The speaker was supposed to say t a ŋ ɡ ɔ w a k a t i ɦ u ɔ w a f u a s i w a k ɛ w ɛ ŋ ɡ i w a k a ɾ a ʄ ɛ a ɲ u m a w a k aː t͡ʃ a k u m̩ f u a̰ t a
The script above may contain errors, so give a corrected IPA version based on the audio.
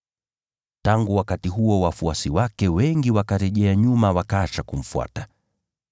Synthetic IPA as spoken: t a ŋ ɡ u w a k a t i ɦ u ɔ w a f u a s i w a k ɛ w ɛ ŋ ɡ i w a k a ɾ ɛ ʄ ɛ a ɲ u m a w a k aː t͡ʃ a k u m̩ f u a̰ t a